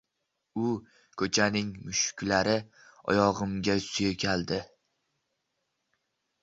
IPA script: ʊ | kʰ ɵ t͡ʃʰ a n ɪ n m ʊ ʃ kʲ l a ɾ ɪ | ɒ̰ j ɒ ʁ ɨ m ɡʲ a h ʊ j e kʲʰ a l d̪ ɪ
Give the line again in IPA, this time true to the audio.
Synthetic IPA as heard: ʊ | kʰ ɵ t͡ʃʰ a n ɪ ŋ m ʊ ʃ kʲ l a ɾ ɪ | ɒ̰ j ɒ ʁ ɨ m ɡʲ a s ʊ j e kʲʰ a l d̪ ɪ